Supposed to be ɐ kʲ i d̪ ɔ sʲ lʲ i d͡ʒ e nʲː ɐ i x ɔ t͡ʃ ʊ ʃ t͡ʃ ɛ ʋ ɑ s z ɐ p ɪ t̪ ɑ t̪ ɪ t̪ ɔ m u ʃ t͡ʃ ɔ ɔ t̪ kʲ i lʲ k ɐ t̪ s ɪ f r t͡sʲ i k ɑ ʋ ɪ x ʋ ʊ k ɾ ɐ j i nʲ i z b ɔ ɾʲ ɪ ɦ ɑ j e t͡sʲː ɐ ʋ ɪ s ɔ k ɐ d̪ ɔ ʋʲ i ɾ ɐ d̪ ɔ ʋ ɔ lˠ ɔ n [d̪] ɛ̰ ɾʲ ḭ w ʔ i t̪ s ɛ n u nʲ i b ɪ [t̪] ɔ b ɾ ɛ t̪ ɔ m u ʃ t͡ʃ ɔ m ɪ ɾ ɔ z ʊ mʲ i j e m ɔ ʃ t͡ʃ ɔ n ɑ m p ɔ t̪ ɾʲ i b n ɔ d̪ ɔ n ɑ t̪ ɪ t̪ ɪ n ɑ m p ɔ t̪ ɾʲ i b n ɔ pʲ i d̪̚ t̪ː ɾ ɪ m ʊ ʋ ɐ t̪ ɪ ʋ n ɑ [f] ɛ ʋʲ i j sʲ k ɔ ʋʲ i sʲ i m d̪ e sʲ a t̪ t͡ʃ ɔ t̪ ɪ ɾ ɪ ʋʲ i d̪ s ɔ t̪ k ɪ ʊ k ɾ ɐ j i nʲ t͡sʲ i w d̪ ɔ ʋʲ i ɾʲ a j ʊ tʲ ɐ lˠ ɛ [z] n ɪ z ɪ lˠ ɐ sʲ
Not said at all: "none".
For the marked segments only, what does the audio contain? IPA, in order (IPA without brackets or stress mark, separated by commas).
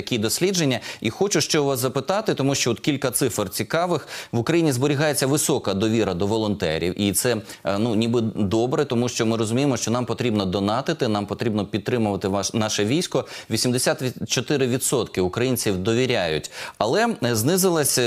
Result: t̪, d̪, ʃ, z